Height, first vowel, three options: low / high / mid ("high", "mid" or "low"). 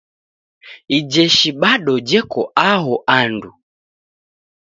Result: high